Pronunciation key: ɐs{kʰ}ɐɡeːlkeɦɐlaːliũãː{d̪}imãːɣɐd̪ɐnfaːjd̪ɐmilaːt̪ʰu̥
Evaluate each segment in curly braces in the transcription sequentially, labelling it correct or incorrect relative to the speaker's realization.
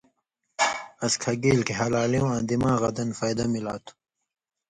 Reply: correct, correct

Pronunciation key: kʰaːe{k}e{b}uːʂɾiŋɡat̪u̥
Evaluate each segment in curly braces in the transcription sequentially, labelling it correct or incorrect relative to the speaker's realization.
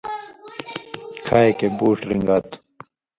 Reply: correct, correct

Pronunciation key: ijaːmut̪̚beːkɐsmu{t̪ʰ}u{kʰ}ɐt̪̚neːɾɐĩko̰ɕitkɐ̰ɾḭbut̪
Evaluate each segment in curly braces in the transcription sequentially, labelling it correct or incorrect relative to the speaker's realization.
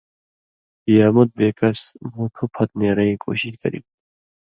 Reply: correct, incorrect: pʰ

